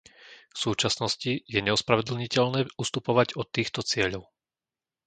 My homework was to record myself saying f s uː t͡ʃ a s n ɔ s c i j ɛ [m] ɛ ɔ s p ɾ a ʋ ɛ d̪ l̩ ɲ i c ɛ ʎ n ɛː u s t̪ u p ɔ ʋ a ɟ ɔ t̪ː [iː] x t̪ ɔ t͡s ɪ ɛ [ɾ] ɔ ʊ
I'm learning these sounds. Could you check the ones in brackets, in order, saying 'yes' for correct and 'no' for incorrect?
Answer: no, yes, no

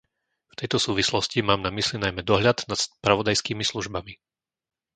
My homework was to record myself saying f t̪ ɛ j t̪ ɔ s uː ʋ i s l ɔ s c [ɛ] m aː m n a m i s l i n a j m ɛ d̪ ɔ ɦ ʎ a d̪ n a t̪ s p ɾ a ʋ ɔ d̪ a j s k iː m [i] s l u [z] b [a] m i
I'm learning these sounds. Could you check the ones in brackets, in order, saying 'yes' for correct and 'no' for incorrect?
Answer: no, yes, no, yes

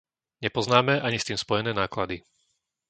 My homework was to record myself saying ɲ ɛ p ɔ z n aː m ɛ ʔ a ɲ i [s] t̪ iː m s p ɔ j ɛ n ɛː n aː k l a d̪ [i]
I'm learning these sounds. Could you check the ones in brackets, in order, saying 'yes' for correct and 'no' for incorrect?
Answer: yes, yes

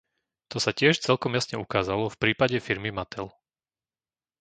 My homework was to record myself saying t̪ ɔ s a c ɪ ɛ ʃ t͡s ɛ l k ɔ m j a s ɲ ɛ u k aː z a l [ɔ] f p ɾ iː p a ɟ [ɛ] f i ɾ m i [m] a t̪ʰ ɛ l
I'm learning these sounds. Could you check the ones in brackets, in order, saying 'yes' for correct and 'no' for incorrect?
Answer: yes, yes, yes

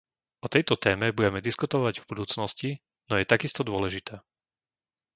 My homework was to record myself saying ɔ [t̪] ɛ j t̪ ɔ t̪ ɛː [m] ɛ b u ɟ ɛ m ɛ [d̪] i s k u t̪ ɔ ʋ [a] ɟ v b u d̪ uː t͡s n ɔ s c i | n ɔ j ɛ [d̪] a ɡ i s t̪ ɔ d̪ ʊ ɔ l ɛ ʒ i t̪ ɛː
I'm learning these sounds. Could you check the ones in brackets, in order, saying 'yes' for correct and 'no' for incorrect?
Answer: yes, yes, yes, yes, no

